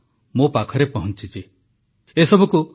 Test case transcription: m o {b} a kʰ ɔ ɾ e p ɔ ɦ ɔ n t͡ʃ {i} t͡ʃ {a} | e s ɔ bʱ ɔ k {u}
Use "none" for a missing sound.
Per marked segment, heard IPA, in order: p, i, i, u

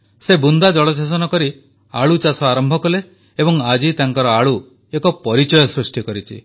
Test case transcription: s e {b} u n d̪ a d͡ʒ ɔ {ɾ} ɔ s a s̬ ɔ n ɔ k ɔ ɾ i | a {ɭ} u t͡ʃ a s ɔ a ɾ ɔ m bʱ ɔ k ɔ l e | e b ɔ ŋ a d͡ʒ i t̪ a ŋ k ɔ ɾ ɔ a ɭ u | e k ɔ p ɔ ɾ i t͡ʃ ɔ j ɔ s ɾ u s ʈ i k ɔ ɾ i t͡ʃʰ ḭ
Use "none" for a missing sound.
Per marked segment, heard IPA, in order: b, ɭ, ɭ

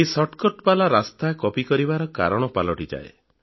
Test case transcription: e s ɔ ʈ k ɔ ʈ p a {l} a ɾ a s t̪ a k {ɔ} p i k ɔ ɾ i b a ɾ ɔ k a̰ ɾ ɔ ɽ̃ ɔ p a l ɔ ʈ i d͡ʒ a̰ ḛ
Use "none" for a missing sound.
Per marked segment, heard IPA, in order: l, ɔ

